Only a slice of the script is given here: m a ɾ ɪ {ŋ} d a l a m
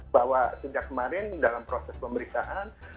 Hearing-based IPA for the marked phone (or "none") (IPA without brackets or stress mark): n